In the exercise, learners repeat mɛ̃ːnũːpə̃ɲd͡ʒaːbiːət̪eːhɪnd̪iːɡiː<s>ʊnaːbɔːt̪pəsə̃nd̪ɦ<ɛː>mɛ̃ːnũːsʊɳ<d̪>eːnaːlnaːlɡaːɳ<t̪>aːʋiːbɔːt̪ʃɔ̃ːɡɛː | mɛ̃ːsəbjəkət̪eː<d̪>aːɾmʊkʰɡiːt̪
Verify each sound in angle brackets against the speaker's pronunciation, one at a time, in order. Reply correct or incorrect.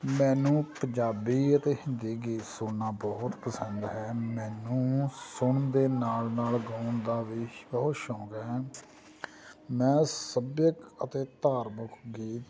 correct, correct, correct, incorrect, incorrect

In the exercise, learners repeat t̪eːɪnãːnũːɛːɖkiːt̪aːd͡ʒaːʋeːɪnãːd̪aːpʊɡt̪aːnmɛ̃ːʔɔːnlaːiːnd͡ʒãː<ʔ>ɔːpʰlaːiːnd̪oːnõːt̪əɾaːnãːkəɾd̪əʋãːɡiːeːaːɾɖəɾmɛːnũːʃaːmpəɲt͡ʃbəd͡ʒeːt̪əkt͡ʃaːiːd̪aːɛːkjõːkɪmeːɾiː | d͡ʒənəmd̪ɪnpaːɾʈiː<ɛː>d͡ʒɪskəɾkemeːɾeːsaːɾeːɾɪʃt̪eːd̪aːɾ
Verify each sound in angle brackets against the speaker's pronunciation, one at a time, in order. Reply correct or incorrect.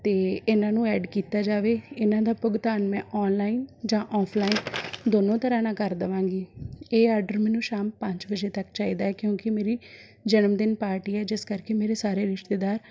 correct, correct

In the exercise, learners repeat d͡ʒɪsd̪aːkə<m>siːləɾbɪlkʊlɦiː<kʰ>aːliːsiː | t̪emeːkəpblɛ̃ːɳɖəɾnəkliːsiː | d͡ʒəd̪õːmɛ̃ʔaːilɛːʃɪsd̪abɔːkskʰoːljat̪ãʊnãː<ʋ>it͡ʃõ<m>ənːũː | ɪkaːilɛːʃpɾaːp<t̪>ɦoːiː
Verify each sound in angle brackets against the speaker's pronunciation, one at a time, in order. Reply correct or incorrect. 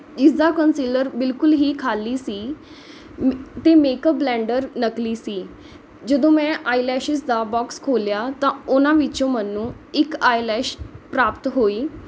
incorrect, correct, correct, correct, correct

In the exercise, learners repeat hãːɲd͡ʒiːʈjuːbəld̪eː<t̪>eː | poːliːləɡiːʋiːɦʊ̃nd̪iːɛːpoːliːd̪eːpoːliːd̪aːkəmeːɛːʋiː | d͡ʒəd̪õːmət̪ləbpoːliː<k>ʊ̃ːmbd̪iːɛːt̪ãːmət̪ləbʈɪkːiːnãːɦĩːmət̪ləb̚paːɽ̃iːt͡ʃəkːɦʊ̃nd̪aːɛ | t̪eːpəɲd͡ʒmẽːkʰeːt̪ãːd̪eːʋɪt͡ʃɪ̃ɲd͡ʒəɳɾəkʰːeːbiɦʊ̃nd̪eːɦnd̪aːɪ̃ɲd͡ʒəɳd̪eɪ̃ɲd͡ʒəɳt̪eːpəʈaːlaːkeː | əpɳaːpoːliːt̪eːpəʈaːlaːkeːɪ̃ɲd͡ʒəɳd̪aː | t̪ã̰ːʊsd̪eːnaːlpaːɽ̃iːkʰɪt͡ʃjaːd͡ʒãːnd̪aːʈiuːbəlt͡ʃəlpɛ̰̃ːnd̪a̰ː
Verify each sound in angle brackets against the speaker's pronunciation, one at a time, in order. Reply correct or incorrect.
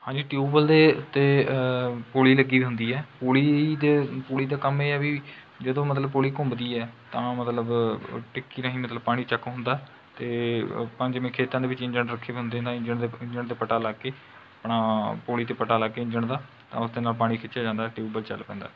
correct, correct

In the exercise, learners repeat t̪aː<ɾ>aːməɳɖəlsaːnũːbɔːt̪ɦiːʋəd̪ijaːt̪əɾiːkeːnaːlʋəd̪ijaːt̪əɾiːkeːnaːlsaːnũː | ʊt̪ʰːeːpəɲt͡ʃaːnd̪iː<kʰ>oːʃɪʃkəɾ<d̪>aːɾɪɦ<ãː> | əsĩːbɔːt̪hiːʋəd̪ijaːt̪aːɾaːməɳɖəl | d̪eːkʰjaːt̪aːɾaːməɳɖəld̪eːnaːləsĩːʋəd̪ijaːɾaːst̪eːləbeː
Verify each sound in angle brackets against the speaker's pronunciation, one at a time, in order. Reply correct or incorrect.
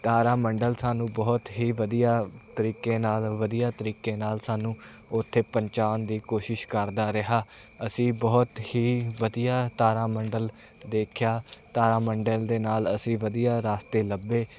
correct, incorrect, correct, incorrect

